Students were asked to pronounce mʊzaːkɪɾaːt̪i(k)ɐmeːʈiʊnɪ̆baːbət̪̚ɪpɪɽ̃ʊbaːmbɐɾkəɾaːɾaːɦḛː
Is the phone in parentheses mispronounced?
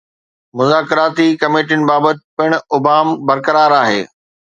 no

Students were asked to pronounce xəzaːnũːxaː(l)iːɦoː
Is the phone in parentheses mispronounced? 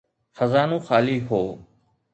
no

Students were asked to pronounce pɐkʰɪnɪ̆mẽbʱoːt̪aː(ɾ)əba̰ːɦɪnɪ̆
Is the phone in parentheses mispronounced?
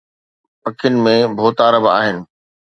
no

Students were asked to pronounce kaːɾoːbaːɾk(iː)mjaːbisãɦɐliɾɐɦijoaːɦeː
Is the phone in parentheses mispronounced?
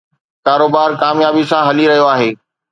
yes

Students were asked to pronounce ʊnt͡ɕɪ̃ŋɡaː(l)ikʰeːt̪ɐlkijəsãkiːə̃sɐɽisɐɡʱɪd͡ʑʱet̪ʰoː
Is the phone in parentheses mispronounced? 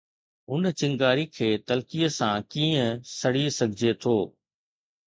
yes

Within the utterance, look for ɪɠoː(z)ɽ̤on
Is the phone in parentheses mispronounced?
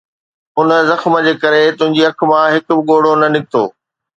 yes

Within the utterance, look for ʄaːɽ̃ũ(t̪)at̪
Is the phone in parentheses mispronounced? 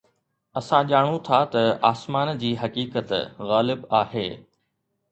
yes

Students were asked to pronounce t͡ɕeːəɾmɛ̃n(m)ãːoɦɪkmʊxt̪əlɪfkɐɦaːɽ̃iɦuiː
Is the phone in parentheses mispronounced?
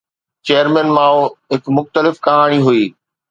no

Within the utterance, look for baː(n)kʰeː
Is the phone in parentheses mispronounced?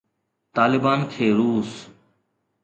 no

